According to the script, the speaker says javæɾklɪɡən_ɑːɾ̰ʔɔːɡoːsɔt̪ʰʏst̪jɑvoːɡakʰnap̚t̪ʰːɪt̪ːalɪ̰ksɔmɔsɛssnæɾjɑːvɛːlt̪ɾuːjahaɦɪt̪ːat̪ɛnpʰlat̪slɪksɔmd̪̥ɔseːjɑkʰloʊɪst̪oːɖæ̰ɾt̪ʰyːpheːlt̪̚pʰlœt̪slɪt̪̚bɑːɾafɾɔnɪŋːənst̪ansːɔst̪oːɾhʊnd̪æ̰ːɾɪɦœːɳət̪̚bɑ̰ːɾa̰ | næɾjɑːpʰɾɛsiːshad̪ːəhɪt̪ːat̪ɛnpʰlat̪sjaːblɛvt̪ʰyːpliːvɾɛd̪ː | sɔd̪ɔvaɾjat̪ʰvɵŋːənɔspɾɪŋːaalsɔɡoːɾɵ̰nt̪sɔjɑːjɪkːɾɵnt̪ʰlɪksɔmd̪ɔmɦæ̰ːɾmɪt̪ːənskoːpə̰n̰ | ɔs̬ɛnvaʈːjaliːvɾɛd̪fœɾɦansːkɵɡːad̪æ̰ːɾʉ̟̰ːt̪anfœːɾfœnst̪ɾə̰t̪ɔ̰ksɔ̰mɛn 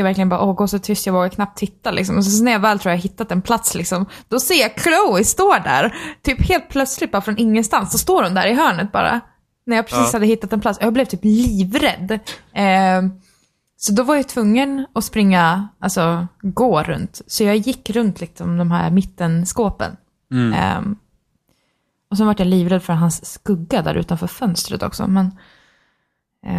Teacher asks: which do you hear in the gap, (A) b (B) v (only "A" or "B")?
A